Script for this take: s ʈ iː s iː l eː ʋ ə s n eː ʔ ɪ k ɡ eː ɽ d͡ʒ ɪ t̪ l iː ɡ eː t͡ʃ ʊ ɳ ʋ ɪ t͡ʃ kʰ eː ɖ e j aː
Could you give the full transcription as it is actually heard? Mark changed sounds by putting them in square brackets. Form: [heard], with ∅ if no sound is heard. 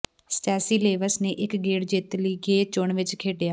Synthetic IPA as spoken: s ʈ [ɛː] s iː l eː ʋ ə s n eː ʔ ɪ k ɡ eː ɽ d͡ʒ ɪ t̪ l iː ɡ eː t͡ʃ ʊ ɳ ʋ ɪ t͡ʃ kʰ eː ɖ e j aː